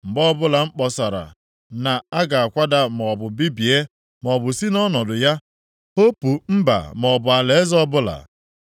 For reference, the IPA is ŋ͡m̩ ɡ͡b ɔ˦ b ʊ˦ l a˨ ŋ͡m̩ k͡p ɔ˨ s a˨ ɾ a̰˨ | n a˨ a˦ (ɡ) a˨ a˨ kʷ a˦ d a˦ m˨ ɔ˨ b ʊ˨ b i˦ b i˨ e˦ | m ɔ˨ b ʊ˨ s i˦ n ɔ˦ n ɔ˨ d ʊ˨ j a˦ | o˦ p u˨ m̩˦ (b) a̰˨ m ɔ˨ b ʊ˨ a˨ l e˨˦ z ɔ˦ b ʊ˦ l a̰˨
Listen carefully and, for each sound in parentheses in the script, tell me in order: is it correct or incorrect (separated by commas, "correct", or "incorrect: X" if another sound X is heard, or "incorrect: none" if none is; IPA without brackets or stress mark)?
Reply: correct, correct